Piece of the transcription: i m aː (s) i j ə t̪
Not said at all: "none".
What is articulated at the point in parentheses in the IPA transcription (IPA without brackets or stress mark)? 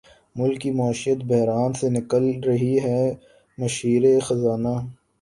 ʃ